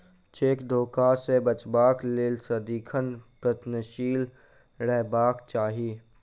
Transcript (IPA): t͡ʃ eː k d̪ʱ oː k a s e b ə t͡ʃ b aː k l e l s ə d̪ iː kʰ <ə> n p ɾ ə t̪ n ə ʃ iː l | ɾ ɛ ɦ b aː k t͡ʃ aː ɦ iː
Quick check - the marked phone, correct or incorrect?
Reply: correct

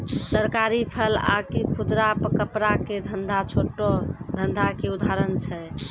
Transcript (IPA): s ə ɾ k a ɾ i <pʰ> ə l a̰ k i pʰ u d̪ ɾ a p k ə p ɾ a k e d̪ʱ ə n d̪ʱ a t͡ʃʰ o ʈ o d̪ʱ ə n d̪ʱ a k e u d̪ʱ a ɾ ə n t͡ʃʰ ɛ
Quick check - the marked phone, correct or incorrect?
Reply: correct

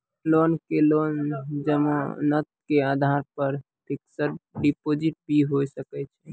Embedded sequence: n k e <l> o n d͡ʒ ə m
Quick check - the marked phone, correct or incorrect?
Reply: correct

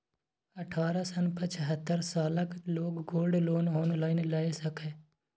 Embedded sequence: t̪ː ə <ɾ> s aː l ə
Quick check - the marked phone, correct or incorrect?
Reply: correct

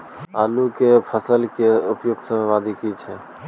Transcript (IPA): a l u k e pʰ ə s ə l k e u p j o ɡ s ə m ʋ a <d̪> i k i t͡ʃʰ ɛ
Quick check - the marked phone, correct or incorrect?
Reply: correct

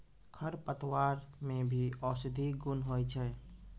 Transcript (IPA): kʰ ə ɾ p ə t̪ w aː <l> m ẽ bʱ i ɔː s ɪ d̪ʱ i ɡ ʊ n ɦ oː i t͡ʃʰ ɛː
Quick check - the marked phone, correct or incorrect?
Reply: incorrect: ɾ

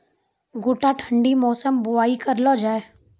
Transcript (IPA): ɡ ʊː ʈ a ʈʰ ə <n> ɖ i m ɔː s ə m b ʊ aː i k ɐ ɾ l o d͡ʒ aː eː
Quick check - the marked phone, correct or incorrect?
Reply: incorrect: ɳ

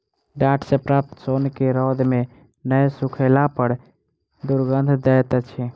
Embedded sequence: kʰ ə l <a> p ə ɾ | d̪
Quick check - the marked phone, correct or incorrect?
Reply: correct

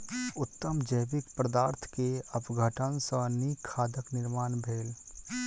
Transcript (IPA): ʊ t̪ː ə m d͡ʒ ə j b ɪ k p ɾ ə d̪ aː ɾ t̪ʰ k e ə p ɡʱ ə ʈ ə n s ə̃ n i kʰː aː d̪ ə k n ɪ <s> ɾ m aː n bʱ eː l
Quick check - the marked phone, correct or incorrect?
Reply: incorrect: none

